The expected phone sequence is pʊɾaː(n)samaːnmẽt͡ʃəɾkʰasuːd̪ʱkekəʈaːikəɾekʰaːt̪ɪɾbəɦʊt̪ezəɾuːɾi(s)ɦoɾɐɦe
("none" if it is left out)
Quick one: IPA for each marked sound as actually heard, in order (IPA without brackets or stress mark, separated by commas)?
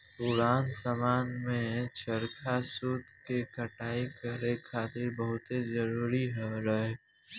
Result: n, none